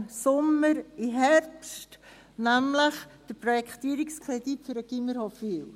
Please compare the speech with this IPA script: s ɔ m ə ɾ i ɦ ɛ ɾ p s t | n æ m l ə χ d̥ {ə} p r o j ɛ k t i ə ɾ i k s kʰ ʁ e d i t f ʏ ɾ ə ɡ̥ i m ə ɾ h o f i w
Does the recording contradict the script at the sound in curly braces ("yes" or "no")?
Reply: no